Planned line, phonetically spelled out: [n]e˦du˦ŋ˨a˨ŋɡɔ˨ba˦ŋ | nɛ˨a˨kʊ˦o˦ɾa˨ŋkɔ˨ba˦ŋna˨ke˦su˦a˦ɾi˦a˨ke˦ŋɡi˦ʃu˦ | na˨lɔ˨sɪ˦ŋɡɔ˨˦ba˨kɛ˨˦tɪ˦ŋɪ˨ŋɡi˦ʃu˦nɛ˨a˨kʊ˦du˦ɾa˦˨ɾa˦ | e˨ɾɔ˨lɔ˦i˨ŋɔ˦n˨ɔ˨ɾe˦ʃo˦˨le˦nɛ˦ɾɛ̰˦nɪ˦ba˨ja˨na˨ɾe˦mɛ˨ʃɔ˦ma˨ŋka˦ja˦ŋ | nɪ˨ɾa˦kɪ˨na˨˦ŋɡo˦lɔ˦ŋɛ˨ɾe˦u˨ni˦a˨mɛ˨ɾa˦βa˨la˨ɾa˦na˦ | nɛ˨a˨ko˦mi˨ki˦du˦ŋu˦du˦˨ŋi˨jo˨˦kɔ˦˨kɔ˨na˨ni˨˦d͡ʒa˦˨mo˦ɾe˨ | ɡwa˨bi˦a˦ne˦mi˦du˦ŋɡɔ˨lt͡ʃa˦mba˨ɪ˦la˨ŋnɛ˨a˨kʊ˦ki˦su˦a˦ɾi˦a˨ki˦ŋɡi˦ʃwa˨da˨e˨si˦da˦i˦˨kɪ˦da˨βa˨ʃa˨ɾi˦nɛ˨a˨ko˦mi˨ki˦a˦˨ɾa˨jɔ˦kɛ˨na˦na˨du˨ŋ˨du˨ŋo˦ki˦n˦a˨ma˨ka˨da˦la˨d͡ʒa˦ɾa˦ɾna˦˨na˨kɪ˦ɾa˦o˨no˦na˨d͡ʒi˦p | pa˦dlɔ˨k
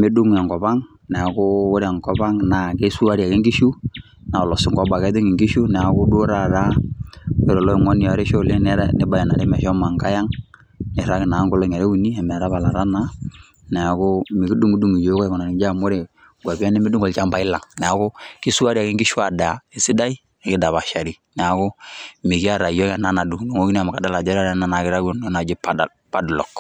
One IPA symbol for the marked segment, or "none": m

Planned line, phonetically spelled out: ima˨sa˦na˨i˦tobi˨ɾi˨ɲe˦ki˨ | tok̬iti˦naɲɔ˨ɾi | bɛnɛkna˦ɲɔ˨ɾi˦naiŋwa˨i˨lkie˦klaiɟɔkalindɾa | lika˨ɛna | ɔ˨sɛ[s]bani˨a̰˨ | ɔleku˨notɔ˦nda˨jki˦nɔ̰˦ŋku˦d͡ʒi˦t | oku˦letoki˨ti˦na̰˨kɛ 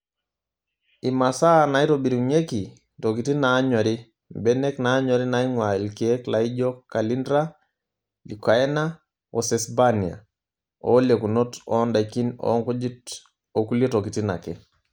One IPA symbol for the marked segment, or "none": s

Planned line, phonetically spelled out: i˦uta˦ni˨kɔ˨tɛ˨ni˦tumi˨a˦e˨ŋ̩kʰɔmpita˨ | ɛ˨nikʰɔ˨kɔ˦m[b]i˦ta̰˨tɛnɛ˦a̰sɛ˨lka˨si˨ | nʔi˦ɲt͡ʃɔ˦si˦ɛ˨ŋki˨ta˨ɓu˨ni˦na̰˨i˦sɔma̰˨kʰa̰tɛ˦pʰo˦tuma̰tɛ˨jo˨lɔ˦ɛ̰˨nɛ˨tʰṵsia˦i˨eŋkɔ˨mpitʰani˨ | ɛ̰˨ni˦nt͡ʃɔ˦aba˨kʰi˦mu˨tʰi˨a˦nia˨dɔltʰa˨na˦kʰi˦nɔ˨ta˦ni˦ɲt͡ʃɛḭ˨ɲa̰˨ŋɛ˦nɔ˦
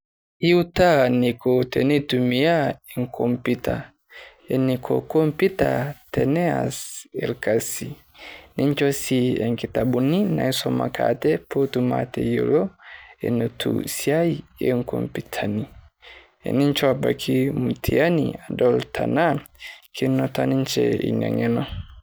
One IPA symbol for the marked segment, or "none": p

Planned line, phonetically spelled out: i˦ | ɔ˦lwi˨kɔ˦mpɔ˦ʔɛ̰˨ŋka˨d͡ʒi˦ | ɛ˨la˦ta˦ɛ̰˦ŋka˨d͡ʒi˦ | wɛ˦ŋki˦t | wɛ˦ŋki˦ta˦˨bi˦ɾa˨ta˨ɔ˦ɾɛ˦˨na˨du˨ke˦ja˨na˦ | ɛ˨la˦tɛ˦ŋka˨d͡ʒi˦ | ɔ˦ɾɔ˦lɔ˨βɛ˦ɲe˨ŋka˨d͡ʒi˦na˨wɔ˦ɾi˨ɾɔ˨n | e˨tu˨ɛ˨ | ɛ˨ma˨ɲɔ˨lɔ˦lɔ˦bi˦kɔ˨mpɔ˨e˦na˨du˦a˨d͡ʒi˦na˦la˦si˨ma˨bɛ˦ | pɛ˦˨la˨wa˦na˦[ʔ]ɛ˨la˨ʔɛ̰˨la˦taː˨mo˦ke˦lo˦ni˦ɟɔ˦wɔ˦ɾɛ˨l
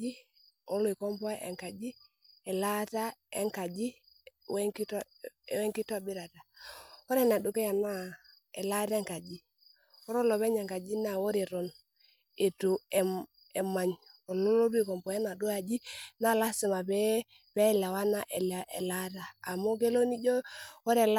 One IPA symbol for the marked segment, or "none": ʔ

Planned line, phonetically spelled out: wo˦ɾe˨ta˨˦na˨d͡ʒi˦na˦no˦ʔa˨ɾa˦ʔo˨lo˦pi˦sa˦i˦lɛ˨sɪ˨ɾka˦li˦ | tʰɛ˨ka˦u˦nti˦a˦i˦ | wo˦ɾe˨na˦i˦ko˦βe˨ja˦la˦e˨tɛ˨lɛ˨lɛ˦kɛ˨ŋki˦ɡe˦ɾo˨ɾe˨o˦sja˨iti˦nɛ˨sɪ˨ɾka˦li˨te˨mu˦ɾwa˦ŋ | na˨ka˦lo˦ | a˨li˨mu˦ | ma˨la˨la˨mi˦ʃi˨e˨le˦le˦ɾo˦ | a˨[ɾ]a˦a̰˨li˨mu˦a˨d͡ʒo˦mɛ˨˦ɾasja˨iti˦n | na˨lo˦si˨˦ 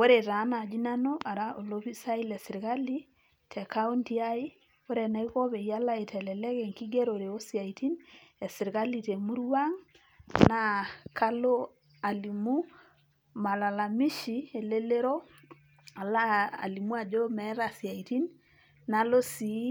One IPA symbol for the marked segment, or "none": l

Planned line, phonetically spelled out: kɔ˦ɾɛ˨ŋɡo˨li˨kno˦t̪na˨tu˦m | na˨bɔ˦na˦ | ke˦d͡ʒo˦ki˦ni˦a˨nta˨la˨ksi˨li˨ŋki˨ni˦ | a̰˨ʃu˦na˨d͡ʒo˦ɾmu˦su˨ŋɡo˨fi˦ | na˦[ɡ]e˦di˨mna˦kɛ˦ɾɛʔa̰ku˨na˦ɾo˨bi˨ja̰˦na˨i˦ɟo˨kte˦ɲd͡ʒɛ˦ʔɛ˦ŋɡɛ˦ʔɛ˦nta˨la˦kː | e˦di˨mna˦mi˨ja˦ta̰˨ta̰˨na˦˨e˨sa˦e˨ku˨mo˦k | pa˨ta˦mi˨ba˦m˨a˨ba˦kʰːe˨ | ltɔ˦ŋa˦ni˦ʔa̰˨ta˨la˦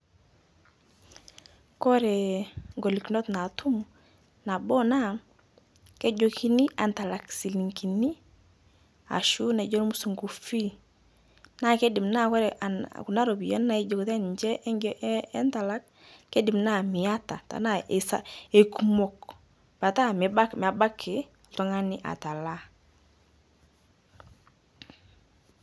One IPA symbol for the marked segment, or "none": k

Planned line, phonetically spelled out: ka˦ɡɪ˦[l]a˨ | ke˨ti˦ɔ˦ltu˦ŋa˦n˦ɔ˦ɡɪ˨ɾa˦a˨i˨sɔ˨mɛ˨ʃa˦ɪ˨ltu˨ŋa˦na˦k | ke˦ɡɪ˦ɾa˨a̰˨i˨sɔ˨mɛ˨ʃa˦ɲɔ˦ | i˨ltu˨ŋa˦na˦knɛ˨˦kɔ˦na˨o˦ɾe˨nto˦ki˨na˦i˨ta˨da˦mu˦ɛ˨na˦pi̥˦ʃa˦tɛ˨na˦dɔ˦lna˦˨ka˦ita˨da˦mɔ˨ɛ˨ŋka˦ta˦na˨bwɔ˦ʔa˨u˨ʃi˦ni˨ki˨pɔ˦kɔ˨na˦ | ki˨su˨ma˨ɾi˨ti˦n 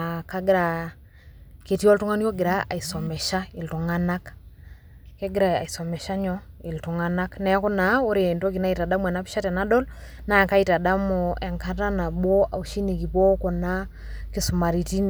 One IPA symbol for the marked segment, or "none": ɾ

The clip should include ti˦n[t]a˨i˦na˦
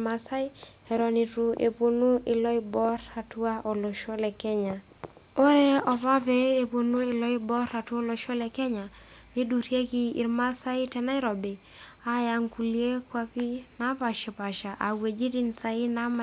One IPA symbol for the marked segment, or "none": s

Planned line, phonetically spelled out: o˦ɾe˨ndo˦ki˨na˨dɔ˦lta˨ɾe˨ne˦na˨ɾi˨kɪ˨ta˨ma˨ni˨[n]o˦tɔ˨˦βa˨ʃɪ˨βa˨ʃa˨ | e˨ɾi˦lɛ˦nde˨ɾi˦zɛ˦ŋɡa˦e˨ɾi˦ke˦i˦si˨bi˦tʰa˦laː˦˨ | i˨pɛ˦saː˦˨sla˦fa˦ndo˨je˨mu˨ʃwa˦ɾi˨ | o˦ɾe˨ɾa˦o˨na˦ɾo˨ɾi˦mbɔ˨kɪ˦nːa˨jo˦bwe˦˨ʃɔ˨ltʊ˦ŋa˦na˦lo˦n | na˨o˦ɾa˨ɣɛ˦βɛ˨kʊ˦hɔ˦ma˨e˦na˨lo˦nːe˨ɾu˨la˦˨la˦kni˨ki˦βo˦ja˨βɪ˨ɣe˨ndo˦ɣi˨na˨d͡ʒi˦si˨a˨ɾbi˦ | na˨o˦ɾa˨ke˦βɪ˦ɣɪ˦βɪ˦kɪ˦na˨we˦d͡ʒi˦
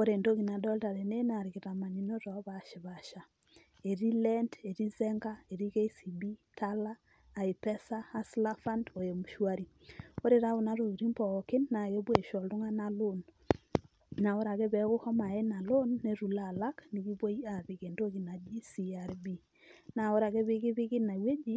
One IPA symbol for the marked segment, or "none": n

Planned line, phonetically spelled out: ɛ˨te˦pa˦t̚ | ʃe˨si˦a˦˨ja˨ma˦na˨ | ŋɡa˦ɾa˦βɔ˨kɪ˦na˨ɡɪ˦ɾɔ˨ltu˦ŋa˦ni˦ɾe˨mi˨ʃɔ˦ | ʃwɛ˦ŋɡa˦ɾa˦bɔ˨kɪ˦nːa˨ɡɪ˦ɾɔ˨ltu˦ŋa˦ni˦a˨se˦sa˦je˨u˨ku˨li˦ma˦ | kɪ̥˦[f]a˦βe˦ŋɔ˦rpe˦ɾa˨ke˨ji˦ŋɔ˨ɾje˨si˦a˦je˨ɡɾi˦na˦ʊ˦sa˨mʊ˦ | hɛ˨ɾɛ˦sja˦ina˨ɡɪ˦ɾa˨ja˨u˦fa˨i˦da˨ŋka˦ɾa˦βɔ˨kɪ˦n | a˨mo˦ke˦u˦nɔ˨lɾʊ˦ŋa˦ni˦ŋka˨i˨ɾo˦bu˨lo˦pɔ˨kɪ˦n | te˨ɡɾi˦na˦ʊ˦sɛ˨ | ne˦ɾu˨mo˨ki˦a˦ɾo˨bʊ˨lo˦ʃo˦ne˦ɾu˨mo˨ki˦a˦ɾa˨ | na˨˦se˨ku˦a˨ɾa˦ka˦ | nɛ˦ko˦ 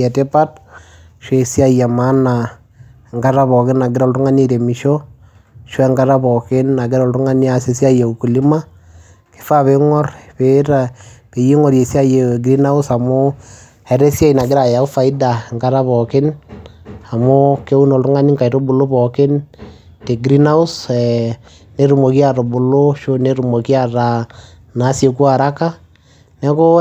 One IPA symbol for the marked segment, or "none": f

